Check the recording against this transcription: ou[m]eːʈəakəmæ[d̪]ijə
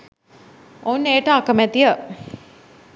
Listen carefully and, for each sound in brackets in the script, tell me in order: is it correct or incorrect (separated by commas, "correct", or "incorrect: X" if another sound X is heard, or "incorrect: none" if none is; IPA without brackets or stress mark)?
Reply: incorrect: n, incorrect: t̪